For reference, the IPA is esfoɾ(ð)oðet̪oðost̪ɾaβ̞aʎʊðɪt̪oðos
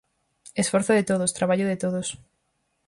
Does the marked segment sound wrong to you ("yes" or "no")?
yes